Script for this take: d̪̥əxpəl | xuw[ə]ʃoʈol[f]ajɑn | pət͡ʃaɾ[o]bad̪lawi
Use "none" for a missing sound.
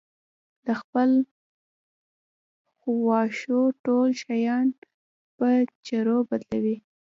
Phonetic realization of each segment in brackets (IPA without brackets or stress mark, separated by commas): ɑ, ʃ, o